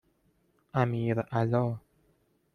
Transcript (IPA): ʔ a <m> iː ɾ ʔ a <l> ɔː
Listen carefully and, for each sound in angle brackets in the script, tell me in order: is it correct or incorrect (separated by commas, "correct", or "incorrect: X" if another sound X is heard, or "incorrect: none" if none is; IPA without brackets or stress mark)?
correct, correct